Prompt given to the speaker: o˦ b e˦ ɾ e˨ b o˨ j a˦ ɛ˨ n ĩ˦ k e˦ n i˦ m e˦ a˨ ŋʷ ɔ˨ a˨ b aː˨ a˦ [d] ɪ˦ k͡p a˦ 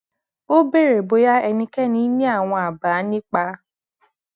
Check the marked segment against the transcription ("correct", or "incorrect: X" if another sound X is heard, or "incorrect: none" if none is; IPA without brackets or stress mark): incorrect: n